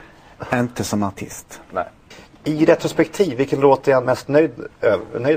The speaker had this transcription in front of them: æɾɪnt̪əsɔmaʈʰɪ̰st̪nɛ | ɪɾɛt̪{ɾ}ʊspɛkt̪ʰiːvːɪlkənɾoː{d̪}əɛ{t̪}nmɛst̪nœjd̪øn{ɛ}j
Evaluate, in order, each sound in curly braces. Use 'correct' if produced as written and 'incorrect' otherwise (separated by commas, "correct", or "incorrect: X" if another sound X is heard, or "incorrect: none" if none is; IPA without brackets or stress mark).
correct, incorrect: t̪, incorrect: none, incorrect: œ